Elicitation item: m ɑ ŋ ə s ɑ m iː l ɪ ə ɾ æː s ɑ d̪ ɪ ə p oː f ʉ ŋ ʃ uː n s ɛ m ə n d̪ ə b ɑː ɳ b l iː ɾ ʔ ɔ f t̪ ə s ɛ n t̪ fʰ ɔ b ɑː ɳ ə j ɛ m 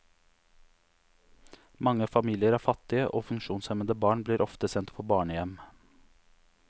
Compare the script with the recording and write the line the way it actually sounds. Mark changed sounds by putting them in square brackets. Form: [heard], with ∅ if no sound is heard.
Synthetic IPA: m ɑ ŋ ə [f] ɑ m iː l ɪ ə ɾ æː [f] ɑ [t̪] ɪ ə [ʔ] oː f ʉ ŋ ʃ uː n s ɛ m ə n d̪ ə b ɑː ɳ b l iː ɾ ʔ ɔ f t̪ ə s ɛ n t̪ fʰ ɔ b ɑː ɳ ə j ɛ m